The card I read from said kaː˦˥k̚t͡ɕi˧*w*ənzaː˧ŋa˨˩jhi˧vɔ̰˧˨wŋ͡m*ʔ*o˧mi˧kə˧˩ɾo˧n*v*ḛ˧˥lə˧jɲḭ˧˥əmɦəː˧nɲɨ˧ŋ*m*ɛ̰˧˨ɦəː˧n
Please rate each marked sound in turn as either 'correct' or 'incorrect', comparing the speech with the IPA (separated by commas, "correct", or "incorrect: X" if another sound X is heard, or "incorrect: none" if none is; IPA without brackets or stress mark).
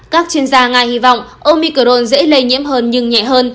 incorrect: none, correct, incorrect: z, incorrect: ɲ